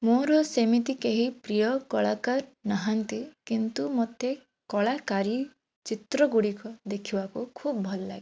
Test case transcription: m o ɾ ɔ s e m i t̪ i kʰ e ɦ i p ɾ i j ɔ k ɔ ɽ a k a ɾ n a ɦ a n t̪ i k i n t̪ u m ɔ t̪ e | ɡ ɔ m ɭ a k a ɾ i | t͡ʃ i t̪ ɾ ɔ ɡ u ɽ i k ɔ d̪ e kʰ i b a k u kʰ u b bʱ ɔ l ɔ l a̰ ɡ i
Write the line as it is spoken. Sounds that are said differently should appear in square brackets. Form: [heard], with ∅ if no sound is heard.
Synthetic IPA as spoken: m o ɾ ɔ s e m i t̪ i [k] e ɦ i p ɾ i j ɔ k ɔ [ɭ] a k a ɾ n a ɦ a n t̪ i k i n t̪ u m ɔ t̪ e | [k] ɔ [∅] ɭ a k a ɾ i | t͡ʃ i t̪ ɾ ɔ ɡ u ɽ i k ɔ d̪ e kʰ i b a k u kʰ u b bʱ ɔ l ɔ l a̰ ɡ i